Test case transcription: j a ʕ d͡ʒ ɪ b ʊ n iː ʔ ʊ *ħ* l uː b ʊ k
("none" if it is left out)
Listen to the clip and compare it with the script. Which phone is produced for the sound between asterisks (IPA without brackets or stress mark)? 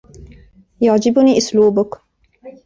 s